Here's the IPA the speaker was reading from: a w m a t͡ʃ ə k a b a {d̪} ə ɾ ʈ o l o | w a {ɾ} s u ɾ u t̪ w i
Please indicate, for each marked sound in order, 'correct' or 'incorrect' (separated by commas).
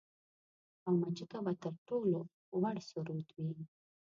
incorrect, incorrect